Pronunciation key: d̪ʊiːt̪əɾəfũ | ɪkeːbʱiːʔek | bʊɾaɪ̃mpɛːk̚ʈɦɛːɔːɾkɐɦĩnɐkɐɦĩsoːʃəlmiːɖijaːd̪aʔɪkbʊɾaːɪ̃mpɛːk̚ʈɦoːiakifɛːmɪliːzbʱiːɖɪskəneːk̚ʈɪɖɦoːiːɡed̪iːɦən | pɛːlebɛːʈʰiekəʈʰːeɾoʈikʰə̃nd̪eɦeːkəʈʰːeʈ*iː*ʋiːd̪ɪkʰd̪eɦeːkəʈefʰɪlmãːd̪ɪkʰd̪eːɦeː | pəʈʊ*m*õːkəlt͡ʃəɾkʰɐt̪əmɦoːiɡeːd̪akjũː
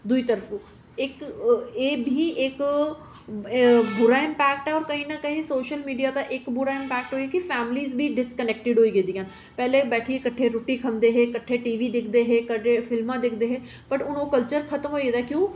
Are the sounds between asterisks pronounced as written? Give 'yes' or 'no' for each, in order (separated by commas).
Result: yes, no